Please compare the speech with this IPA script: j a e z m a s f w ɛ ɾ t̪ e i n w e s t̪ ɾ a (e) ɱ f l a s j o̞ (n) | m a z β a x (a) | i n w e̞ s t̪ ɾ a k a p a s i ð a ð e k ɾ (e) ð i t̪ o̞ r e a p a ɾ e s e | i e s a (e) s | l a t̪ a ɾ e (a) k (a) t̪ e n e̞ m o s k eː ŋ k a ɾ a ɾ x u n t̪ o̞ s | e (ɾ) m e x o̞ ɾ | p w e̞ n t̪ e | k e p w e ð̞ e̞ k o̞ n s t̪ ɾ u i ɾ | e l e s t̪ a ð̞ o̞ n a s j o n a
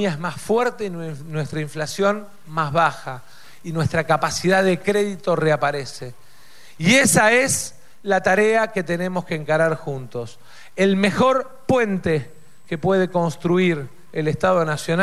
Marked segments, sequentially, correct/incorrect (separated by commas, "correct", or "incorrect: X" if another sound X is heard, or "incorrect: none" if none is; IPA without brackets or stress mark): incorrect: i, correct, correct, correct, correct, correct, incorrect: e, incorrect: l